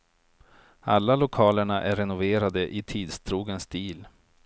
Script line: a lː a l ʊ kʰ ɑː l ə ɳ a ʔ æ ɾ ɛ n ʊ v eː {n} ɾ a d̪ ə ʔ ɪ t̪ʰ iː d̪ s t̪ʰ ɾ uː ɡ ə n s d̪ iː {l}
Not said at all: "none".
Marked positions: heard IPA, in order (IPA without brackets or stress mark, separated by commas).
none, l